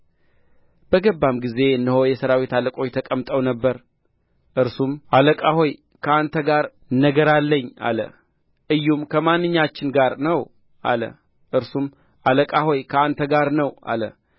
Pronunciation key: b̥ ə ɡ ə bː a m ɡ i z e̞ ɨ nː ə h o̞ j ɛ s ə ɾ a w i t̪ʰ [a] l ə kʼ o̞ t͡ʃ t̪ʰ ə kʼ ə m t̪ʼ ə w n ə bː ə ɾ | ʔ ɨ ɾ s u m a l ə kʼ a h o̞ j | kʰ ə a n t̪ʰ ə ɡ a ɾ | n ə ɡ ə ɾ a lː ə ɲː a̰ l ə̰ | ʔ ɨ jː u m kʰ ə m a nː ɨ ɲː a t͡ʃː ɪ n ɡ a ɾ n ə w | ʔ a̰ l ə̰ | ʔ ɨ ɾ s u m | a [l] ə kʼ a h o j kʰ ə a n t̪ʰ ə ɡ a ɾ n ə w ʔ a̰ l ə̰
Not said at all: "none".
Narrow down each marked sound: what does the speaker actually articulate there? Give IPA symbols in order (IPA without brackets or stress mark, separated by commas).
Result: a, l